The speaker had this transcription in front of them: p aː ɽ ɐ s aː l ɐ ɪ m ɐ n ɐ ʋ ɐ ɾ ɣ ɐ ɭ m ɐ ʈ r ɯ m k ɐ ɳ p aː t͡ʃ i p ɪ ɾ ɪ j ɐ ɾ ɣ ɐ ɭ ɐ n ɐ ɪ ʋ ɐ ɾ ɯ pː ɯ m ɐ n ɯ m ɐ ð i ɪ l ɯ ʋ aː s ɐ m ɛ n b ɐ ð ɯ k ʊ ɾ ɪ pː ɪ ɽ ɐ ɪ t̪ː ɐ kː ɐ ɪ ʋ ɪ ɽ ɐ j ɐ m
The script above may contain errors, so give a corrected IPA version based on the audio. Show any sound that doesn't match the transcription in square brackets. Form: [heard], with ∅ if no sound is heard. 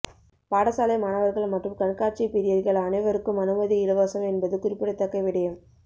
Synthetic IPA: p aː ɽ ɐ s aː l ɐ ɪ m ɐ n ɐ ʋ ɐ ɾ ɣ ɐ ɭ m ɐ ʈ r ɯ m k ɐ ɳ [k] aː t͡ʃ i p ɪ ɾ ɪ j ɐ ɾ ɣ ɐ ɭ ɐ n ɐ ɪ ʋ ɐ ɾ ɯ [kː] ɯ m ɐ n ɯ m ɐ ð i ɪ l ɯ ʋ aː s ɐ m ɛ n b ɐ ð ɯ k ʊ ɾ ɪ pː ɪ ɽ ɐ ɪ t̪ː ɐ kː ɐ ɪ ʋ ɪ ɽ ɐ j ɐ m

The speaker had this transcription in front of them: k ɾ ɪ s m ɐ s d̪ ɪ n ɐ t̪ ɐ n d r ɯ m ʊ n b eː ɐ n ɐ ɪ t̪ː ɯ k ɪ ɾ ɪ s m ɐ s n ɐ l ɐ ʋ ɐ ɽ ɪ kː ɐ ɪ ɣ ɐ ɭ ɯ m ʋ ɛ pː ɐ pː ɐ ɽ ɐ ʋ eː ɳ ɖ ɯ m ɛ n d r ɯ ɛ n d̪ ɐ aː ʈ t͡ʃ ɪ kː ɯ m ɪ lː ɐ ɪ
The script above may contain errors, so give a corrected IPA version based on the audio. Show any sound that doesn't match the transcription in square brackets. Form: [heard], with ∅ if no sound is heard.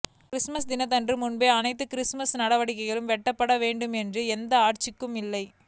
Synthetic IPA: k ɾ ɪ s m ɐ s d̪ ɪ n ɐ t̪ ɐ n d r ɯ m ʊ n b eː ɐ n ɐ ɪ t̪ː ɯ k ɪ ɾ ɪ s m ɐ s n ɐ [ɽ] ɐ ʋ ɐ ɽ ɪ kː ɐ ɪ ɣ ɐ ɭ ɯ m ʋ ɛ [ʈː] ɐ pː ɐ ɽ ɐ ʋ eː ɳ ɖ ɯ m ɛ n d r ɯ ɛ n d̪ ɐ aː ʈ t͡ʃ ɪ kː ɯ m ɪ lː ɐ ɪ

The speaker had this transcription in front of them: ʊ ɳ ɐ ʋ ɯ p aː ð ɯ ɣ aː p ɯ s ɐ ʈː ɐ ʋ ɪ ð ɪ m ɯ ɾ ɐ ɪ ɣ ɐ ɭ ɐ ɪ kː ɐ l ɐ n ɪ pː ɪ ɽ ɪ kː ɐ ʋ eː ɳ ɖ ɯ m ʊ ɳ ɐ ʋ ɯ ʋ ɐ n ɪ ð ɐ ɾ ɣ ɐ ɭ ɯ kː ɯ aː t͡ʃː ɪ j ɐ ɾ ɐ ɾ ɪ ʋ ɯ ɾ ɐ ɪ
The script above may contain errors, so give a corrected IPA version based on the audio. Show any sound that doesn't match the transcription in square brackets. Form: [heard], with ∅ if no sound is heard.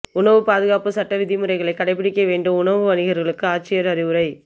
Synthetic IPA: ʊ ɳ ɐ ʋ ɯ p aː ð ɯ ɣ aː p ɯ s ɐ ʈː ɐ ʋ ɪ ð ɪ m ɯ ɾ ɐ ɪ ɣ ɐ ɭ ɐ ɪ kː ɐ [ɽ] ɐ [∅] ɪ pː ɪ ɽ ɪ kː ɐ ʋ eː ɳ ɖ ɯ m ʊ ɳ ɐ ʋ ɯ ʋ ɐ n ɪ [ɣ] ɐ ɾ ɣ ɐ ɭ ɯ kː ɯ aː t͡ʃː ɪ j ɐ ɾ ɐ ɾ ɪ ʋ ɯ ɾ ɐ ɪ

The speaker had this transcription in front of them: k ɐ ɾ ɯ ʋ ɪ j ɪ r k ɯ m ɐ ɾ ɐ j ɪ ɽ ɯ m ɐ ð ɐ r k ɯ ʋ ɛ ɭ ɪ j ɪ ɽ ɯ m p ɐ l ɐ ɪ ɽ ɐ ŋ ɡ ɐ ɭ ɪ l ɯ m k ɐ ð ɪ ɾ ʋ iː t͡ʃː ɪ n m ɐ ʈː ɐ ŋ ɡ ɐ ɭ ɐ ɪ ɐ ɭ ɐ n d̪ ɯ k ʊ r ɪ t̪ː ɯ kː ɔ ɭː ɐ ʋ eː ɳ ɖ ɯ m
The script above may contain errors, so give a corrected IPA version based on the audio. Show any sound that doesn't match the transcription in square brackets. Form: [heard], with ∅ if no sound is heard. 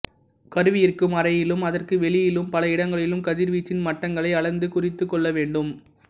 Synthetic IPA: k ɐ ɾ ɯ ʋ ɪ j ɪ r k ɯ m ɐ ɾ ɐ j ɪ [l] ɯ m ɐ ð ɐ r k ɯ ʋ ɛ ɭ ɪ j ɪ [l] ɯ m p ɐ l ɐ ɪ ɽ ɐ ŋ ɡ ɐ ɭ ɪ l ɯ m k ɐ ð ɪ ɾ ʋ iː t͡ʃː ɪ n m ɐ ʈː ɐ ŋ ɡ ɐ ɭ ɐ ɪ ɐ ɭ ɐ n d̪ ɯ k ʊ r ɪ t̪ː ɯ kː ɔ ɭː ɐ ʋ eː ɳ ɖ ɯ m

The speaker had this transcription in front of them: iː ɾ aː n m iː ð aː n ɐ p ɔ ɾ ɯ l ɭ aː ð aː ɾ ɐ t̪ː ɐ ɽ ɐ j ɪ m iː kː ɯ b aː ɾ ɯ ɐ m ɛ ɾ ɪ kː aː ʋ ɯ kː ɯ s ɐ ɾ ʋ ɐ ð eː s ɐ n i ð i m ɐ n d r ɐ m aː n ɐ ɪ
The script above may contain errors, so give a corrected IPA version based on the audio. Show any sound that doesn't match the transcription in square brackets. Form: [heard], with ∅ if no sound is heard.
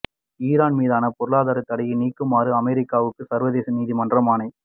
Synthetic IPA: iː ɾ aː n m iː ð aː n ɐ p ɔ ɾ ɯ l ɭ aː ð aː ɾ ɐ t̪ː ɐ ɽ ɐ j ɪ [n] iː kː ɯ [m] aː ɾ ɯ ɐ m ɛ ɾ ɪ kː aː ʋ ɯ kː ɯ s ɐ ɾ ʋ ɐ ð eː s ɐ n [iː] ð i m ɐ n d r ɐ m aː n ɐ ɪ

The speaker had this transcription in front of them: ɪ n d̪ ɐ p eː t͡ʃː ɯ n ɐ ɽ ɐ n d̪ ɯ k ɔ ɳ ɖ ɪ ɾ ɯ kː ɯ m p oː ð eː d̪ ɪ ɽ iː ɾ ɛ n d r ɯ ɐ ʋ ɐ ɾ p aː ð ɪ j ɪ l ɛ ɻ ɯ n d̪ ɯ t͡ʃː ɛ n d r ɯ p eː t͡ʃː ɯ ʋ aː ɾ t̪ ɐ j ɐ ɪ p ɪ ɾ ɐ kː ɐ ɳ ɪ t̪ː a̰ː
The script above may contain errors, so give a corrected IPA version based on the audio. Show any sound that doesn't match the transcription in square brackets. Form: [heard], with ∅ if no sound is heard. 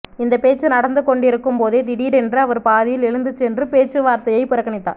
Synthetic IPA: ɪ n d̪ ɐ p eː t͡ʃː ɯ n ɐ ɽ ɐ n d̪ ɯ k ɔ ɳ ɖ ɪ ɾ ɯ kː ɯ m p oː ð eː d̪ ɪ ɽ iː ɾ ɛ n d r ɯ ɐ ʋ ɐ ɾ p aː ð ɪ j ɪ l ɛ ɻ ɯ n d̪ ɯ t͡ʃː ɛ n d r ɯ p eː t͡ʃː ɯ ʋ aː ɾ t̪ ɐ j ɐ ɪ p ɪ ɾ ɐ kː ɐ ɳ ɪ t̪ː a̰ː

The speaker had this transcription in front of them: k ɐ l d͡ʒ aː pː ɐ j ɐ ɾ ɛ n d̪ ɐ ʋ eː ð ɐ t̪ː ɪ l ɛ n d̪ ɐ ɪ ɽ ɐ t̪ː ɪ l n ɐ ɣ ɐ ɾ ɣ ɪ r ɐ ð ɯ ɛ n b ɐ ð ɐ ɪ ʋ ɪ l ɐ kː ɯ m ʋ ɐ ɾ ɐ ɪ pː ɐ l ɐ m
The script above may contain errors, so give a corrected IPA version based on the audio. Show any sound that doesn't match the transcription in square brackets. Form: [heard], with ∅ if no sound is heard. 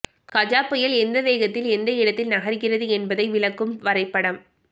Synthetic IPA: k ɐ [∅] d͡ʒ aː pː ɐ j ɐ [l] ɛ n d̪ ɐ ʋ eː [ɣ] ɐ t̪ː ɪ l ɛ n d̪ ɐ ɪ ɽ ɐ t̪ː ɪ l n ɐ ɣ ɐ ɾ ɣ ɪ r ɐ ð ɯ ɛ n b ɐ ð ɐ ɪ ʋ ɪ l ɐ kː ɯ m ʋ ɐ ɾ ɐ ɪ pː ɐ [ɽ] ɐ m

